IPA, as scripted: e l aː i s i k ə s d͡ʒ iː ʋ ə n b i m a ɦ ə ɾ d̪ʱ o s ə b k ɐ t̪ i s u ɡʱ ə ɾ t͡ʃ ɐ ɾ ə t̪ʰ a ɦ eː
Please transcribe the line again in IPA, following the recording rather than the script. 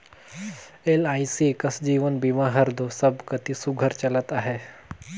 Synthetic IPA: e l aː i s i k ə s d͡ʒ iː ʋ ə n b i m a ɦ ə ɾ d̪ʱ o s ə b k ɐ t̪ i s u ɡʱ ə ɾ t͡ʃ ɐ l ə t̪ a ɦ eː

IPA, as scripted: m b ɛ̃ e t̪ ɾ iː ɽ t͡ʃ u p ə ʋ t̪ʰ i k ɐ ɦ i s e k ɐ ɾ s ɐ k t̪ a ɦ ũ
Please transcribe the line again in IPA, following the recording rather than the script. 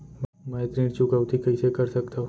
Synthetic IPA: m m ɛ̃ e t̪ ɾ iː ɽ t͡ʃ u k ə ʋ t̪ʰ i k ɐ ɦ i s e k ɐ ɾ s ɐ k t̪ a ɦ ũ

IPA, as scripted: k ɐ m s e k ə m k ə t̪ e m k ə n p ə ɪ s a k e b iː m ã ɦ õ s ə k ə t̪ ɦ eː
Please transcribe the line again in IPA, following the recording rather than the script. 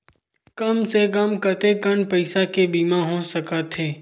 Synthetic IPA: k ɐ m s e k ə m k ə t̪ e k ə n p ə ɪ s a k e b iː m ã ɦ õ s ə k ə t̪ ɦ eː

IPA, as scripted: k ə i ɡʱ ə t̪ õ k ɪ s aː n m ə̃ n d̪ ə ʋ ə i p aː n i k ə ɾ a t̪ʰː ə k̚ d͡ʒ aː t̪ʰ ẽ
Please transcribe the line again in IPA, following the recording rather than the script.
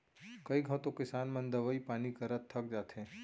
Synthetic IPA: k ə i ɡʱ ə t̪ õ k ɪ s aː n m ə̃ n d̪ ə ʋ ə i p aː n i k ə ɾ ə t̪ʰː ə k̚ d͡ʒ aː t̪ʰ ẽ

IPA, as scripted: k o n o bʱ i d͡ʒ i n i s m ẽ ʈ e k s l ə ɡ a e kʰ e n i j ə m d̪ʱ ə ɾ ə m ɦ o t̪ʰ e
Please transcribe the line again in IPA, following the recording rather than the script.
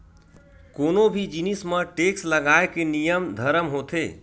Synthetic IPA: k o n o bʱ i d͡ʒ i n i s m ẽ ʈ e k s l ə ɡ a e k e n i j ə m d̪ʱ ə ɾ ə m ɦ o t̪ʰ e

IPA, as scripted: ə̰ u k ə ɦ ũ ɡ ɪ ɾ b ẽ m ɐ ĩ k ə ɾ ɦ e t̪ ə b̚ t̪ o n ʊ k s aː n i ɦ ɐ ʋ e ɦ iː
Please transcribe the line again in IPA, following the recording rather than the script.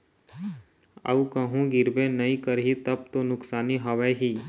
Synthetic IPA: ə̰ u k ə ɦ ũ ɡ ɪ ɾ b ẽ n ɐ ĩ k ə ɾ ɦ i t̪ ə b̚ t̪ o n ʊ k s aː n i ɦ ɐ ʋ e ɦ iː

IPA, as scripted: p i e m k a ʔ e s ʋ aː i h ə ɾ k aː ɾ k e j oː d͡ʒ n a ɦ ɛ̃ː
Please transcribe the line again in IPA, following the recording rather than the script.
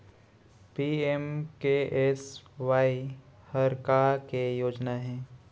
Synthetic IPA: p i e m k e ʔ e s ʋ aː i h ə ɾ k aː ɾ k e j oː d͡ʒ n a ɦ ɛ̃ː

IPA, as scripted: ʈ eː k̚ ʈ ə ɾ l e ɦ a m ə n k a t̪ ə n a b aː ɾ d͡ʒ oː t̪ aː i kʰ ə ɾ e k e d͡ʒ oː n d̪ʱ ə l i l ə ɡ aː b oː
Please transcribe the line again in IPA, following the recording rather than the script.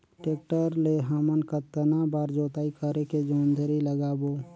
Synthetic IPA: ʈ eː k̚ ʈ ə ɾ l e ɦ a m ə n k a t̪ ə n a b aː ɾ d͡ʒ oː t̪ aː i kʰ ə ɾ e k e d͡ʒ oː n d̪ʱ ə ɾ i l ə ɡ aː b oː

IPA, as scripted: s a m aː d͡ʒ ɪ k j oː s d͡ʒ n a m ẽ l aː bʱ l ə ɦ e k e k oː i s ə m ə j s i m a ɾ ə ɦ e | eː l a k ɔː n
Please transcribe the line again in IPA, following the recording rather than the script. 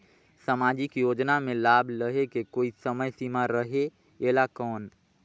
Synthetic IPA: s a m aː d͡ʒ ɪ k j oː d͡ʒ n a m ẽ l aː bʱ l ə ɦ e k e k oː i s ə m ə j s i m a ɾ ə ɦ e | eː l a k ɔː n

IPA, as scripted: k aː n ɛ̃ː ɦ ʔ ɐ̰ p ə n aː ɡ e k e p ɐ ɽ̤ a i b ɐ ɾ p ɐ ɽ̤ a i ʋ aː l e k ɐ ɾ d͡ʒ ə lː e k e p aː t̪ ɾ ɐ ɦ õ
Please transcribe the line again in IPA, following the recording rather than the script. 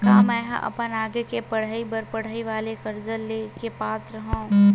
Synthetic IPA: k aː m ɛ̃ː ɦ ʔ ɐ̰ p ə n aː ɡ e k e p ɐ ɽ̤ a i b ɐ ɾ p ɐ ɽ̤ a i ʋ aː l e k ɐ ɾ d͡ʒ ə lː e k e p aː t̪ ɾ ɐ ɦ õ

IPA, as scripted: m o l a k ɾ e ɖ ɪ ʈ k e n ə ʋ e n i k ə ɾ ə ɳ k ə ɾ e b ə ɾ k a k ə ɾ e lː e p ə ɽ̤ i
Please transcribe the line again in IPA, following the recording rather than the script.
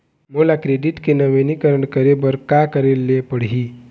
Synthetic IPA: m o l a k ɾ e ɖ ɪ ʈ k e n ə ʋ e n i k ə ɾ ə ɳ k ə ɾ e b ə ɾ k a k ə ɾ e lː e p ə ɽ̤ i

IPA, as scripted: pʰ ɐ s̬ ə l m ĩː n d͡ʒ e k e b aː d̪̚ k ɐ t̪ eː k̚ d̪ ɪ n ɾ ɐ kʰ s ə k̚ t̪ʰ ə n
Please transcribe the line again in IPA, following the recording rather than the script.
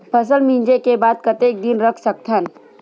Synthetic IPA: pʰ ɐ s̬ ə l m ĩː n d͡ʒ e k e b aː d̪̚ k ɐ t̪ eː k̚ d̪ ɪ n ɾ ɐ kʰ s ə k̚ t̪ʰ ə n

